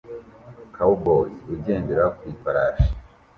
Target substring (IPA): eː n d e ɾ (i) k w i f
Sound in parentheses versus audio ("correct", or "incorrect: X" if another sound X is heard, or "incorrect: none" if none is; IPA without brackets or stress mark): incorrect: a